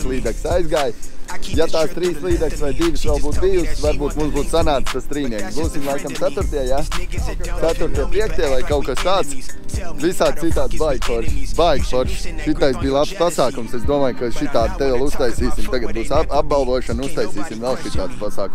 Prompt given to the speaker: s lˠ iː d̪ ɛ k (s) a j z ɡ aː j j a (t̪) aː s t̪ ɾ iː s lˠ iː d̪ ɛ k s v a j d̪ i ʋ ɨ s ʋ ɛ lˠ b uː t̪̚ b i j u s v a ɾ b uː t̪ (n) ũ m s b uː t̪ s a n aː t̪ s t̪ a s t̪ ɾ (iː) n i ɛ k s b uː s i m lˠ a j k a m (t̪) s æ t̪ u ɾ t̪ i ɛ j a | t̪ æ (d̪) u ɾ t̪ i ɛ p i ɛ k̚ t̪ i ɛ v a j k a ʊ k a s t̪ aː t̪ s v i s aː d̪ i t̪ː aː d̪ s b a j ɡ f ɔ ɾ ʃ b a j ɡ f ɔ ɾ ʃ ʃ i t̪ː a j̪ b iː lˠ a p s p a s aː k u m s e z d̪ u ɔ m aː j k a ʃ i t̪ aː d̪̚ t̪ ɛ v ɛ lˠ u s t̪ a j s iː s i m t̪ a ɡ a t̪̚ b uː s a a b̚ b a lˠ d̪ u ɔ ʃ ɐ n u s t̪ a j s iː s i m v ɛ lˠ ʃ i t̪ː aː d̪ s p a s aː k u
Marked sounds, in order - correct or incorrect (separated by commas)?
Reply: correct, correct, incorrect, correct, correct, incorrect